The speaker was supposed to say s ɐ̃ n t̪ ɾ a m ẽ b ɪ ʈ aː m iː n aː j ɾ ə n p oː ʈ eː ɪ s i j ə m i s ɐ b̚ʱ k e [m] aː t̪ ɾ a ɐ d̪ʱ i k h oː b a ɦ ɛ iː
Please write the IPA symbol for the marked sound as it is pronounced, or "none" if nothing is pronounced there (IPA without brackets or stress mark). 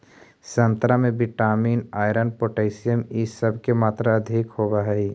m